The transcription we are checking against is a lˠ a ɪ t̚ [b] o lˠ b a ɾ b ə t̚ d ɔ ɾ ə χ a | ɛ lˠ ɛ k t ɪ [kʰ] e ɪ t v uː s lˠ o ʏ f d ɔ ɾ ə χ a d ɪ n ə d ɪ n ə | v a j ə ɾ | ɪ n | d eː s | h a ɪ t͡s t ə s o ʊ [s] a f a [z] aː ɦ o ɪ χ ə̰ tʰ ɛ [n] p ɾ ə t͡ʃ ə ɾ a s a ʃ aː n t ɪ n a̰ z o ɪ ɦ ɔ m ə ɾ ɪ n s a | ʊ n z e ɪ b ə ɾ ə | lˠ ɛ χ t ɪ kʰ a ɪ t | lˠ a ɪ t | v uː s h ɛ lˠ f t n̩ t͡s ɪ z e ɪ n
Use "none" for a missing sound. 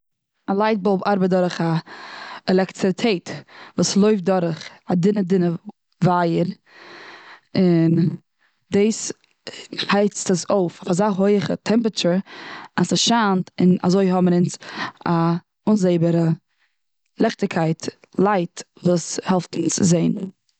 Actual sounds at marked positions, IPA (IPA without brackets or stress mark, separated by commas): b, tʰ, f, z, m